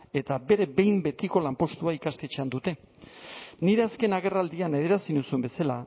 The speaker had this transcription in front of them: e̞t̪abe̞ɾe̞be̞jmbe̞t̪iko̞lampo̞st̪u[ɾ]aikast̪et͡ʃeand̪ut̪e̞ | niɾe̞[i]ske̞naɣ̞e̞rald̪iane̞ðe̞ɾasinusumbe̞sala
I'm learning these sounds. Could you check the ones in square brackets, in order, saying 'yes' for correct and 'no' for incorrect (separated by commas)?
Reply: no, no